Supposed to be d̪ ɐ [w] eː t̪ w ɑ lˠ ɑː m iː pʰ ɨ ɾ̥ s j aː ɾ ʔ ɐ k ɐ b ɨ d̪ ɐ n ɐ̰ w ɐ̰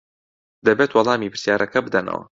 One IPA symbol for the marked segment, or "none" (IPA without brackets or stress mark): b